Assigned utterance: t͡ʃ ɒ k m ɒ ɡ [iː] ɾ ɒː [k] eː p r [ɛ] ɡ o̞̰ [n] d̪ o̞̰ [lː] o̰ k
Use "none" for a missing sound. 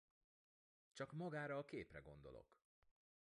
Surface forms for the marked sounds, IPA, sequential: aː, k, ɛ, n, l

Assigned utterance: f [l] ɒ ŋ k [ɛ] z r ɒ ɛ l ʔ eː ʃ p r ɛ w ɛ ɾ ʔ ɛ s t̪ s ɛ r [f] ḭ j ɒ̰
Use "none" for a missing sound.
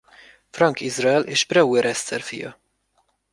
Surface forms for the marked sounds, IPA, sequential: r, i, f

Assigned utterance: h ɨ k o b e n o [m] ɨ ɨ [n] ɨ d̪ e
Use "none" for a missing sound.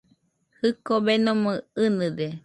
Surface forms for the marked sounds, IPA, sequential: m, n

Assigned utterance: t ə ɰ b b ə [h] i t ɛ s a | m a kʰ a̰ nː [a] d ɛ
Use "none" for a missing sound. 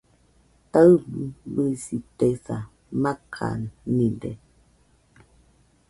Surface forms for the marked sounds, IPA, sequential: s, i

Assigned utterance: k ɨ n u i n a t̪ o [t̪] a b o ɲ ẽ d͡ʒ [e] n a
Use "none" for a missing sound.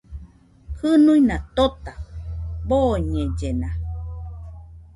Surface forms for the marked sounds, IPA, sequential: t̪, e

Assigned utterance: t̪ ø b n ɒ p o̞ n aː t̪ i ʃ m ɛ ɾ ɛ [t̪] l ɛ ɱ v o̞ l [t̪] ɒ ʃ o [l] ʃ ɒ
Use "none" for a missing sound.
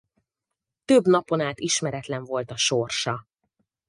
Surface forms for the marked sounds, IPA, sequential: t̪, t̪, r

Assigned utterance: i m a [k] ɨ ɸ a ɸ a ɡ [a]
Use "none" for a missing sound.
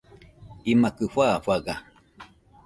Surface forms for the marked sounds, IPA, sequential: k, a

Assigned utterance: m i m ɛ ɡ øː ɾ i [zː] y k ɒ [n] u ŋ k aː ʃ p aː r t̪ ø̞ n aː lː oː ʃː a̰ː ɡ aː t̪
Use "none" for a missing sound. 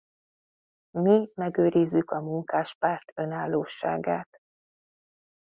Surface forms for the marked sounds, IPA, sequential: zː, m

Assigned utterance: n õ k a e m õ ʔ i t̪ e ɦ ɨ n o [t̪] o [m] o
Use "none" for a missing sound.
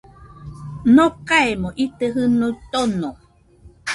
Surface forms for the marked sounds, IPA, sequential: t̪, n

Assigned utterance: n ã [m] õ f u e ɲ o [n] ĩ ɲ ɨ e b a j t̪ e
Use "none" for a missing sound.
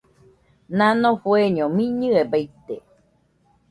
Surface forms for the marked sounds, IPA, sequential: n, m

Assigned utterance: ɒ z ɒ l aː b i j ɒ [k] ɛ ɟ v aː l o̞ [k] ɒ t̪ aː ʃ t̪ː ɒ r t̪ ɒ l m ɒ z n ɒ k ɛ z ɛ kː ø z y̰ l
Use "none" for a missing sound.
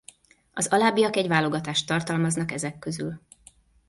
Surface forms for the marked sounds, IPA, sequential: k, ɡ

